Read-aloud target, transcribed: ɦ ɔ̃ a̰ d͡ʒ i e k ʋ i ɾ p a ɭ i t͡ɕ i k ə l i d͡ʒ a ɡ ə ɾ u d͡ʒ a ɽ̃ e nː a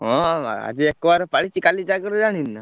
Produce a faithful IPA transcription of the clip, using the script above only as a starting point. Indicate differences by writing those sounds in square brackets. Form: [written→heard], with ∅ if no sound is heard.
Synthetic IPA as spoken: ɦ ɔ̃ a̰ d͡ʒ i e k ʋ [i→a] ɾ p a ɭ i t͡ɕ i k [ə→a] l i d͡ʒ a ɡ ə ɾ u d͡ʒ a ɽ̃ [e→i] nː a